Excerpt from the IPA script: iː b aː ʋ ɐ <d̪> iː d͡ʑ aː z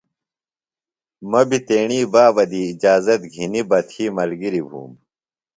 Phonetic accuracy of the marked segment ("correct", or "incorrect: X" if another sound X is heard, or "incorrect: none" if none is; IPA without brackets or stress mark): correct